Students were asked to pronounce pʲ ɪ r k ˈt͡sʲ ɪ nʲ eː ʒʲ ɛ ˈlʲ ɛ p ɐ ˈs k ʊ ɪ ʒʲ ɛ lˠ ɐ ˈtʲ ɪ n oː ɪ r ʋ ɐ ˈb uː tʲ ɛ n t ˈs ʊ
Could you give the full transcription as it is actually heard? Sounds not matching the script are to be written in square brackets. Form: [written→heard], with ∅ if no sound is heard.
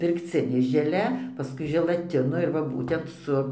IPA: pʲ ɪ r k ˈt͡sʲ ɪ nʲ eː ʒʲ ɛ ˈlʲ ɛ p ɐ ˈs k ʊ ɪ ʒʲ ɛ lˠ ɐ ˈtʲ ɪ n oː ɪ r ʋ ɐ ˈb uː tʲ ɛ n t ˈs ʊ